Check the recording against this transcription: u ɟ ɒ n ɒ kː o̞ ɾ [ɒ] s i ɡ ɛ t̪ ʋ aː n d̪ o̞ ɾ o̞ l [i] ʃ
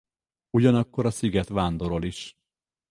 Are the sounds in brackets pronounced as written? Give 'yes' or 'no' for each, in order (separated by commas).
yes, yes